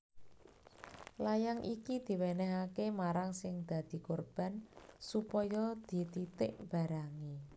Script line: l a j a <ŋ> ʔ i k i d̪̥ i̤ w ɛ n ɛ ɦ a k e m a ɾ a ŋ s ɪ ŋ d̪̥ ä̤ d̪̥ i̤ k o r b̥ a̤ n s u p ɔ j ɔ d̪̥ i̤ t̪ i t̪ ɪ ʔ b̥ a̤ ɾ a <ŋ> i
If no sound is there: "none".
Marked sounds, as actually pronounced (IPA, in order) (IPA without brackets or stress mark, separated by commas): ŋ, ŋ